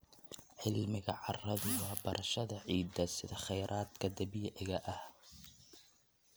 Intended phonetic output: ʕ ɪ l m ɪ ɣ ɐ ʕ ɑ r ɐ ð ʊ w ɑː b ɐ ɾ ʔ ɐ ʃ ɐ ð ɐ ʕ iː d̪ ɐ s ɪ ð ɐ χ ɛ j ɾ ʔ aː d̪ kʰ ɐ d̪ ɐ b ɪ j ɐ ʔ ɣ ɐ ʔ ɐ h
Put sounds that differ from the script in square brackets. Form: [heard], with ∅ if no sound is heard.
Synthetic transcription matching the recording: ʕ ɪ l m ɪ ɣ ɐ ʕ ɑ r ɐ ð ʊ w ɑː b ɐ ɾ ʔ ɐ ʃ ɐ ð ɐ ʕ iː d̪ ɐ s ɪ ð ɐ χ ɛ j ɾ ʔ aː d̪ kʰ ɐ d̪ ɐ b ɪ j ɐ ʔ ɣ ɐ ʔ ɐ h